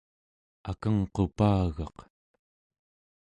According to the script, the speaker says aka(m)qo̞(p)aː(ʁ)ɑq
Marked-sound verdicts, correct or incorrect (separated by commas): incorrect, correct, incorrect